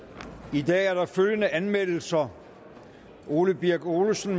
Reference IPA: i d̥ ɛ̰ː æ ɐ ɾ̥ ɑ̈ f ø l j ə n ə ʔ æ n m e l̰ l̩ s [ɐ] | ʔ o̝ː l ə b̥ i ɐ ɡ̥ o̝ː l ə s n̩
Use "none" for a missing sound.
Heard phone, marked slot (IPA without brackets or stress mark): ɐ